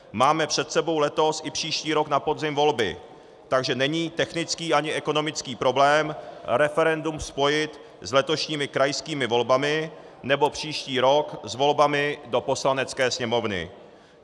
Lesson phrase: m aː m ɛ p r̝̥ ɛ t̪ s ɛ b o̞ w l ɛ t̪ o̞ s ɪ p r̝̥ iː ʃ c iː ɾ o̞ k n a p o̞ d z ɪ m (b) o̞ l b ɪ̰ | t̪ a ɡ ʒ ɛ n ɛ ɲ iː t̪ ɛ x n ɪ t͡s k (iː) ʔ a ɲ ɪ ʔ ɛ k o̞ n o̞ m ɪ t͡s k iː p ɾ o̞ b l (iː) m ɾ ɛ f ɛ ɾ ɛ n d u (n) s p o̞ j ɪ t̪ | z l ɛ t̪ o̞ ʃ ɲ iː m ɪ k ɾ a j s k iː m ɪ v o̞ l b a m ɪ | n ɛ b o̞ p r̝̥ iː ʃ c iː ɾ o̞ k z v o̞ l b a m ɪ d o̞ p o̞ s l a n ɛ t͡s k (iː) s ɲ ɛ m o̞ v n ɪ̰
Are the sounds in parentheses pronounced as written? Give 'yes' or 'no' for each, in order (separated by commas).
no, yes, no, no, no